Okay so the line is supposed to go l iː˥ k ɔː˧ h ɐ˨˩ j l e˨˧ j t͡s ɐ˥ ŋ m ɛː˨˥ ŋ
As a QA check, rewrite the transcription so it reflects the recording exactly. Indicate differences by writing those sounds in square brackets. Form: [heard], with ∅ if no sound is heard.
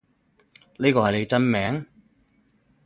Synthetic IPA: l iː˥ k ɔː˧ h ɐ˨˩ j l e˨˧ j t͡s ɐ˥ [n] m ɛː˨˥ ŋ

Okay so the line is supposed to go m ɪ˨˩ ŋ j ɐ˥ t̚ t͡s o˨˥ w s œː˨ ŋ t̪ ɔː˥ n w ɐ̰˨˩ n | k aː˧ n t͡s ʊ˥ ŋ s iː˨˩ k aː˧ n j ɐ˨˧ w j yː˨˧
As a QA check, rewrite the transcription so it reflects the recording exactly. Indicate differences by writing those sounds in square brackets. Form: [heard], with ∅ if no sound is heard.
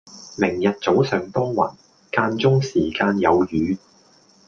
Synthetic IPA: m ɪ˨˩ ŋ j [ɐ˨] t̚ t͡s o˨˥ w s œː˨ ŋ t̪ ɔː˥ [ŋ] w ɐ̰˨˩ n | k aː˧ n t͡s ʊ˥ ŋ s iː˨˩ k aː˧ n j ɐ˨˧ w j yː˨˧

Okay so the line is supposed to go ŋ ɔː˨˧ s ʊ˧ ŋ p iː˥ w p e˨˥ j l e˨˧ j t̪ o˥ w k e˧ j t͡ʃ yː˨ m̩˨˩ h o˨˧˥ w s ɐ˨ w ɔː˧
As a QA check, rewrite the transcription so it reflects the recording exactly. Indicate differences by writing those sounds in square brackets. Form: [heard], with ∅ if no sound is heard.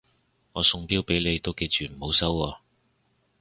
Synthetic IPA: ŋ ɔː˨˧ s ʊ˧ ŋ p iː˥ w p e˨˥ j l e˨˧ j t̪ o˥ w k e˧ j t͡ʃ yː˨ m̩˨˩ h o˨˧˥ w s [ɐ˥] w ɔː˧

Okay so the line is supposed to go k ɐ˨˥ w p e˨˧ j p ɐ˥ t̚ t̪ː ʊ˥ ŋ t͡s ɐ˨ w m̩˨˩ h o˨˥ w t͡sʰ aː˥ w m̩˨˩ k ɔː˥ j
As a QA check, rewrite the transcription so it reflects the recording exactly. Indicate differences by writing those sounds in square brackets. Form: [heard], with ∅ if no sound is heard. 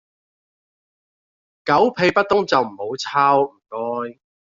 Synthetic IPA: k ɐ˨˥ w [pʰ] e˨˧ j p ɐ˥ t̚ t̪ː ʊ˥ ŋ t͡s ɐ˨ w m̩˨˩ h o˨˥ w t͡sʰ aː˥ w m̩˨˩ k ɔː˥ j

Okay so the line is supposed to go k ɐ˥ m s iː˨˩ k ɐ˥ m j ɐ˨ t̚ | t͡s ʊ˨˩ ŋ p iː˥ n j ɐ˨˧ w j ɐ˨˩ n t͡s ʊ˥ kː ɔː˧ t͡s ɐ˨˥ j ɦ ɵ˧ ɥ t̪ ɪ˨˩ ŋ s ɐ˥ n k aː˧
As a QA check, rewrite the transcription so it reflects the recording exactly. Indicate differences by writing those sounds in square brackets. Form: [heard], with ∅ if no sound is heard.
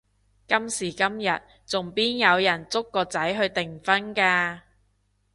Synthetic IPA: k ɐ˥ m s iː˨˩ k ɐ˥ m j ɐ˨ t̚ | t͡s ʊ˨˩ ŋ p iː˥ n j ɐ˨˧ w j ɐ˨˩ n t͡s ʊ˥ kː ɔː˧ t͡s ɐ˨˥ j ɦ ɵ˧ ɥ t̪ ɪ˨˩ ŋ [f] ɐ˥ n k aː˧

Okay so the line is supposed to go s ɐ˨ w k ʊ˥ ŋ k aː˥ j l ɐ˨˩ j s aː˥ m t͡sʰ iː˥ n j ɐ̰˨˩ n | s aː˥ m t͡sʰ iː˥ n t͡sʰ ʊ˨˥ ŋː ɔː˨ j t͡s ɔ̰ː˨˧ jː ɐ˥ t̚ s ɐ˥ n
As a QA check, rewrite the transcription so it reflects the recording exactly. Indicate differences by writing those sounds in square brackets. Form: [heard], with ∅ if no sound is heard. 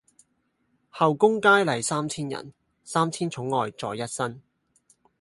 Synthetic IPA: [h] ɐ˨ w k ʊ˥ ŋ k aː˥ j l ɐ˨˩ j s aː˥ m t͡sʰ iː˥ n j ɐ̰˨˩ n | s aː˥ m t͡sʰ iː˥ n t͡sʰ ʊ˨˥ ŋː ɔː˨ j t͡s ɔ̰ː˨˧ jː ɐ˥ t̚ s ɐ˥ n

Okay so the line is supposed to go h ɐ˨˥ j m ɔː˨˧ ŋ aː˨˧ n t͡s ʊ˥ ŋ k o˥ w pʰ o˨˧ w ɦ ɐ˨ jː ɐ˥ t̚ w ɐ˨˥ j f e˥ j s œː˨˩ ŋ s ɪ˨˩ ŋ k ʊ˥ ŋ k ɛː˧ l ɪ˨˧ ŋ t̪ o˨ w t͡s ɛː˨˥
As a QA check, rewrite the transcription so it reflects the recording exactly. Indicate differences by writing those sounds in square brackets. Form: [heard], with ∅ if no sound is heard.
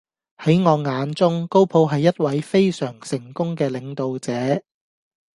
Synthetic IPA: h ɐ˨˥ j [ŋ] ɔː˨˧ ŋ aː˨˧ n t͡s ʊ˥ ŋ k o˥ w pʰ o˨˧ w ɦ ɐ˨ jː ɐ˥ t̚ w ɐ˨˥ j f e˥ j s œː˨˩ ŋ s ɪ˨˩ ŋ k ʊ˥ ŋ k ɛː˧ l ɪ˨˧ ŋ t̪ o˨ w t͡s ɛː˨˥

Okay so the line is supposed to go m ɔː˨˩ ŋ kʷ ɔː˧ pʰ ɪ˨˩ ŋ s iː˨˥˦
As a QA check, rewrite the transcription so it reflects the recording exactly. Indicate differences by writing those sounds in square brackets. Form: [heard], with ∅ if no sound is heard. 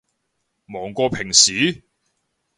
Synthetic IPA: m ɔː˨˩ ŋ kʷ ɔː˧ pʰ ɪ˨˩ ŋ s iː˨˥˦

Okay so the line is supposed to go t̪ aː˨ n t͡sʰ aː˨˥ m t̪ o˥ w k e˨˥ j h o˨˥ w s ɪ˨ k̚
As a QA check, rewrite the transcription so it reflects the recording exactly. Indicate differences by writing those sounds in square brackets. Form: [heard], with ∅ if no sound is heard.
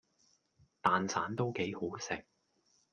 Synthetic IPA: t̪ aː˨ n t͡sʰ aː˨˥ [n] t̪ o˥ w k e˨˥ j h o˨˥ w s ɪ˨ k̚

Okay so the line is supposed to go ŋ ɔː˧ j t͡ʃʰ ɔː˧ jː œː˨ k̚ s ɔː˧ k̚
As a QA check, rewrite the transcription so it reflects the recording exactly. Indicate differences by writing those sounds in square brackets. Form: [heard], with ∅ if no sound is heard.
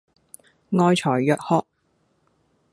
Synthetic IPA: ŋ ɔː˧ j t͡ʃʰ [ɔː˨˩] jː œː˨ k̚ [h] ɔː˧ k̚

